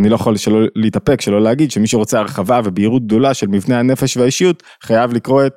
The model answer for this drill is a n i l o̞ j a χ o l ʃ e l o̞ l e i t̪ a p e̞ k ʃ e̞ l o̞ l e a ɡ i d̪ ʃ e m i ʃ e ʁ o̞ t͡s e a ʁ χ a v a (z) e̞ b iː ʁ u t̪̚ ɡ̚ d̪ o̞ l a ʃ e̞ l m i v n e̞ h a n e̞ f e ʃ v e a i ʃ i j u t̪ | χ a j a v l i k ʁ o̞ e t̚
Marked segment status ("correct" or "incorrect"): incorrect